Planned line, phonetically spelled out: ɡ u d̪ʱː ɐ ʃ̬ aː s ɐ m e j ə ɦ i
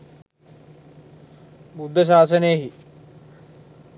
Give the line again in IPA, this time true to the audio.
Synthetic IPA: b u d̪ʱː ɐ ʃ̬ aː s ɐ n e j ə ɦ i

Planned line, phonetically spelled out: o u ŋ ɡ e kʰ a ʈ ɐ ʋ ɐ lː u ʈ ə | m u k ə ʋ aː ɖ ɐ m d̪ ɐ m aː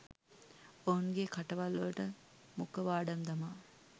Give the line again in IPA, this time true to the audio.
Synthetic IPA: o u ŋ ɡ e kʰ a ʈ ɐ ʋ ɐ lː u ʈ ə | m u k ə ʋ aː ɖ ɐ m d̪ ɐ m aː

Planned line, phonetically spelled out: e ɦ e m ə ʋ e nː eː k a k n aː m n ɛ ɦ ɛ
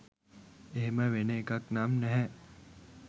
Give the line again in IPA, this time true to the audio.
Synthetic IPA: e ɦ e m ə ʋ e n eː k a k n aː m n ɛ ɦ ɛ

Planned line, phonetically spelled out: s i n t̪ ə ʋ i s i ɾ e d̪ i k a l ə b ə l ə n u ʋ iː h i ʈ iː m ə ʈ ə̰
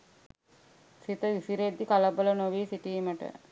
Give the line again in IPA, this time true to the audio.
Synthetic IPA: s i t̪ ə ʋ i s i ɾ e d̪ i k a l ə b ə l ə n o ʋ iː s i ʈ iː m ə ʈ ə̰

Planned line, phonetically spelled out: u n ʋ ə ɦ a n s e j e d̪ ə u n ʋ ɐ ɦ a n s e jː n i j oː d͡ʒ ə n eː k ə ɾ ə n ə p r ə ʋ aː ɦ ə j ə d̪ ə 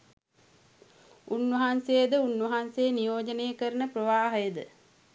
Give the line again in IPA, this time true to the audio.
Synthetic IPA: u n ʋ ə ɦ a n s e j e d̪ ə u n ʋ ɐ ɦ a n s e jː n i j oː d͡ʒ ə n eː k ə ɾ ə n ə p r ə ʋ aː ɦ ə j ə d̪ ə

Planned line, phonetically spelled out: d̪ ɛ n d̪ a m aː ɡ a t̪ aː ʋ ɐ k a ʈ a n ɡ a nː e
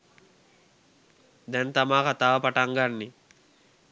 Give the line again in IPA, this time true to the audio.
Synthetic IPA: d̪ ɛ n t̪ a m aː k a t̪ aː ʋ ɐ p a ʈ a ŋ ɡ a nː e

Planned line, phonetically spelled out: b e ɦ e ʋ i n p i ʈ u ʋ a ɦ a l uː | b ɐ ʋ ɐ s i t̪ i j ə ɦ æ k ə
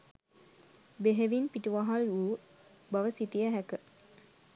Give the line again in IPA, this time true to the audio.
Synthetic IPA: b e ɦ e ʋ i n p i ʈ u ʋ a ɦ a l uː | b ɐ ʋ ə s i t̪ i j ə ɦ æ k ə

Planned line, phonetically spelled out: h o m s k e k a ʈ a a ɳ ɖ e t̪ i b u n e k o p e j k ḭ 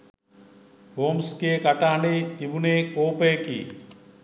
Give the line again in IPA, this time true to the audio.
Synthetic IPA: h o m s k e k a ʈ a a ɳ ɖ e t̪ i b u n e k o p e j k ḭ

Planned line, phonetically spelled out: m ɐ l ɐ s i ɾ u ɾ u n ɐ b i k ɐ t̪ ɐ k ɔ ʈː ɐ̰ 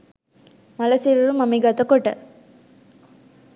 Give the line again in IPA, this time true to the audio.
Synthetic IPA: m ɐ l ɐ s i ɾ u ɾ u m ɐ m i ɡ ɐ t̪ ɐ k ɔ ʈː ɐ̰

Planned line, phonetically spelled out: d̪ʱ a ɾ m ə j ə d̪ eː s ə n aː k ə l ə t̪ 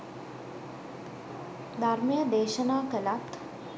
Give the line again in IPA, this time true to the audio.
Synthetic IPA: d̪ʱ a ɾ m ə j ə d̪ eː ʃ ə n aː k ə l a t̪

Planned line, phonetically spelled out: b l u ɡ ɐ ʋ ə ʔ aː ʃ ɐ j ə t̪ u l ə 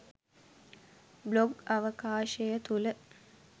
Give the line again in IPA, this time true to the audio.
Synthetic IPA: b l o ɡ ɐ ʋ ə k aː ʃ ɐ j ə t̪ u l ə

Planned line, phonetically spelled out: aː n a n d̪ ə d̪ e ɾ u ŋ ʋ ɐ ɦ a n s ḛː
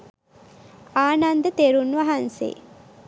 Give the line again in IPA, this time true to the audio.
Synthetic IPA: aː n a n d̪ ə t̪ e ɾ u n ʋ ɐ ɦ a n s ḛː

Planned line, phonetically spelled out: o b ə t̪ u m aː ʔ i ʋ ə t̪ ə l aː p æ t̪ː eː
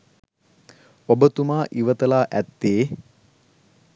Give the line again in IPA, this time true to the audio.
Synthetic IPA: o b ə t̪ u m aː ʔ i ʋ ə t̪ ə l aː ʔ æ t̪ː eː

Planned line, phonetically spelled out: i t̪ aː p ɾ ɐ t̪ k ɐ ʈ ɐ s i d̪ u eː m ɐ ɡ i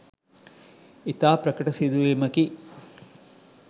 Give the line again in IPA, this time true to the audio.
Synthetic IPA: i t̪ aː p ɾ ɐ k ɐ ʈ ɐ s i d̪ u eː m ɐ k i

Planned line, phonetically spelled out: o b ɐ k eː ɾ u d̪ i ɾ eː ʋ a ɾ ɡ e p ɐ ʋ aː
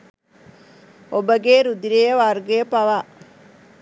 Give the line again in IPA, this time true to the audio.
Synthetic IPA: o b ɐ ɡ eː ɾ u d̪ i ɾ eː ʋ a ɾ ɡ e p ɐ ʋ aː

